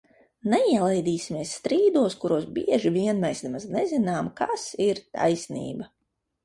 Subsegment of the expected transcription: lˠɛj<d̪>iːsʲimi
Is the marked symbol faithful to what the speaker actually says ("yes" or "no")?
yes